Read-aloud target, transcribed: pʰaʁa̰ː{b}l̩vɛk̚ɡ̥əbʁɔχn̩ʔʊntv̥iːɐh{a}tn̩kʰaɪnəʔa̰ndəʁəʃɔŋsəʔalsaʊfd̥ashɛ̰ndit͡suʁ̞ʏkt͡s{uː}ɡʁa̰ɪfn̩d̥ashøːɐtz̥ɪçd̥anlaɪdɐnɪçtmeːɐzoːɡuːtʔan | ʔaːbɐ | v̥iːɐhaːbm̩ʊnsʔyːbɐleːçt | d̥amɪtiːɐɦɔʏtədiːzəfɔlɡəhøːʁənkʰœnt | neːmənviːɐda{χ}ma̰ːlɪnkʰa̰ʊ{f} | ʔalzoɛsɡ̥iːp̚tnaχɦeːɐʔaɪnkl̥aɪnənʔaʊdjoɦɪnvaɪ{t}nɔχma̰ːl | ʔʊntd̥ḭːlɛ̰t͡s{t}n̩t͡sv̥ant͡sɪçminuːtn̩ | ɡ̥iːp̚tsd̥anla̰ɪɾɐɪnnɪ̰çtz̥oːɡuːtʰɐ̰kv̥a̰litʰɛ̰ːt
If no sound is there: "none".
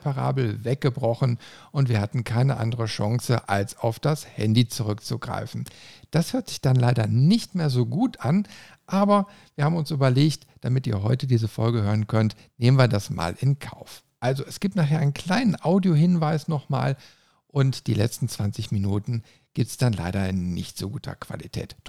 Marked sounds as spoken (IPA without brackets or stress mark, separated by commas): b, a, u, s, f, s, t